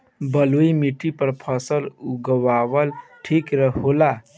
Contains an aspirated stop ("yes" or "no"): yes